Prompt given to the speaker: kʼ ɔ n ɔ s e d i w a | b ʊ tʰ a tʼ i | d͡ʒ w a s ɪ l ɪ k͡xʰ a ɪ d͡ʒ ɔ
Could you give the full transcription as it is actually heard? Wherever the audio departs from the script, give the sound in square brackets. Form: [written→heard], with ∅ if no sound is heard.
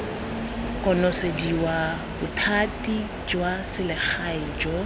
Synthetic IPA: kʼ ɔ n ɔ s e d i w a | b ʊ tʰ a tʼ i | d͡ʒ w a s ɪ l ɪ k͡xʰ a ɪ d͡ʒ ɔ